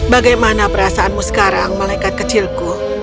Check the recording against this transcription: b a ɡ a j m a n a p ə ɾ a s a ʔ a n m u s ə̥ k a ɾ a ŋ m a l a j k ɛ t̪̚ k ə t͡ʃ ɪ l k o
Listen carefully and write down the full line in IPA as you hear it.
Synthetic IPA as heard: b a ɡ a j m a n a p ə ɾ a s a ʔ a n m u s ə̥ k a ɾ a ŋ m a l a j k a t̪̚ k ə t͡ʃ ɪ l k u